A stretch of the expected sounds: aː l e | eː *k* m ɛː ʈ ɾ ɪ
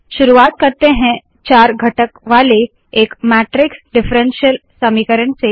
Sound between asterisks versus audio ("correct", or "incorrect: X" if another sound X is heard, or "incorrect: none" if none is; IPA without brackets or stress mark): correct